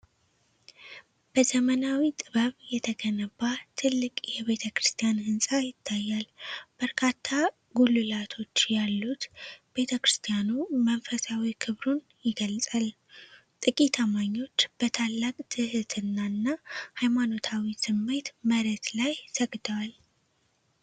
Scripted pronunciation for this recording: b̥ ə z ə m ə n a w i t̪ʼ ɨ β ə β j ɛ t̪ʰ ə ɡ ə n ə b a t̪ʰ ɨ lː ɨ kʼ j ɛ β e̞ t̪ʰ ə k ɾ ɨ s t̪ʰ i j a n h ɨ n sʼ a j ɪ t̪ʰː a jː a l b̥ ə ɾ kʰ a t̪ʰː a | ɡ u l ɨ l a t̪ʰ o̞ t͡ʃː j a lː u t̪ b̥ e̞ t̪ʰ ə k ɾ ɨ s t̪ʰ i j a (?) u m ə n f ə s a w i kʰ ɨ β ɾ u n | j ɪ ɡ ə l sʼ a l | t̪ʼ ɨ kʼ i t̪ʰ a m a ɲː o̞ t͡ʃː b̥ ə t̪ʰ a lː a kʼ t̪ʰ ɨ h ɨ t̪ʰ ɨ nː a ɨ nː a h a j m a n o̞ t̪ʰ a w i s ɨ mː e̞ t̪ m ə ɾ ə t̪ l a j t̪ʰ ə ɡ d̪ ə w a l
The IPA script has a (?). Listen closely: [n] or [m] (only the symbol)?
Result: n